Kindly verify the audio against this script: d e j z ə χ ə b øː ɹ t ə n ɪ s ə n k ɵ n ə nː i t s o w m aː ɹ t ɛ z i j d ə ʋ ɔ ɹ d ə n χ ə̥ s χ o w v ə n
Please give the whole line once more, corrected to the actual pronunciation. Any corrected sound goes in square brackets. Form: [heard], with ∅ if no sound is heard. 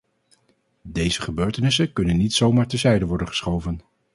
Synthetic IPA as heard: d e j z ə χ ə b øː ɹ t ə n ɪ s ə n k ɵ n ə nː i t s o w m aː ɹ t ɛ z [ɛ] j d ə ʋ ɔ ɹ d ə n χ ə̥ s χ o w v ə n